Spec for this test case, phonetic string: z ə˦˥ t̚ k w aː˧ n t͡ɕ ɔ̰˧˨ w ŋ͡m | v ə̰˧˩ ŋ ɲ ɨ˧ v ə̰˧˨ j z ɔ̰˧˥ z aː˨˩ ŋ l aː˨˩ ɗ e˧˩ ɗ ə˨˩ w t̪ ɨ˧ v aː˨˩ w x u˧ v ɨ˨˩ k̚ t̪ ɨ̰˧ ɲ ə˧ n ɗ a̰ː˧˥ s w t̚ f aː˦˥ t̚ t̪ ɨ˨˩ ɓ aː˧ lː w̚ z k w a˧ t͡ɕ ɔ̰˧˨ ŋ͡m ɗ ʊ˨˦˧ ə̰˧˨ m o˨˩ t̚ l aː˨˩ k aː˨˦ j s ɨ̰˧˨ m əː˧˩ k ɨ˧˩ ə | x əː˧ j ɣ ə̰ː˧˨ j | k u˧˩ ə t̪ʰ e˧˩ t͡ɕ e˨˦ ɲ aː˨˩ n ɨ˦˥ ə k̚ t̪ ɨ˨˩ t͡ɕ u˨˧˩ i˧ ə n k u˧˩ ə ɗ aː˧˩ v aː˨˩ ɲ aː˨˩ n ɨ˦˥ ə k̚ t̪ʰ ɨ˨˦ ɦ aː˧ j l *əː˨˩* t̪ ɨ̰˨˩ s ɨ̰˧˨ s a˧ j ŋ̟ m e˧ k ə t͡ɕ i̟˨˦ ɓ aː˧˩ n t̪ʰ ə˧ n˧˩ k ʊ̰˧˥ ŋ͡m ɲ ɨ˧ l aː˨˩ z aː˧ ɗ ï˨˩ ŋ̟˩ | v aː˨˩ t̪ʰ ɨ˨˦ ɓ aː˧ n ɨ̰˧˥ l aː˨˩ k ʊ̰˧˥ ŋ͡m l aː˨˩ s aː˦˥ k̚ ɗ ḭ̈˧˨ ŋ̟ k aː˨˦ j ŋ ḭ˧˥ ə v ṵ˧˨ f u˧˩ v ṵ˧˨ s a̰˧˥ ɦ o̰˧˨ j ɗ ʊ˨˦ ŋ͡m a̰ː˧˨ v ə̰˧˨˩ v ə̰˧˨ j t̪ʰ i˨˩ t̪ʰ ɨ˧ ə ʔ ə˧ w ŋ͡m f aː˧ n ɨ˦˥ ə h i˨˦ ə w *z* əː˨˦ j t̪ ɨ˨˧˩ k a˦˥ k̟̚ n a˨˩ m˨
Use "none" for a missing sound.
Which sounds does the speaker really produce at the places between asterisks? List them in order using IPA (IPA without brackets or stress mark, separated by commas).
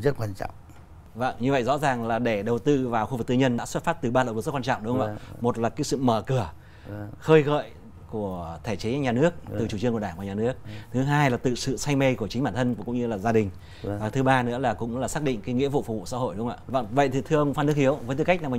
aː˨˩, v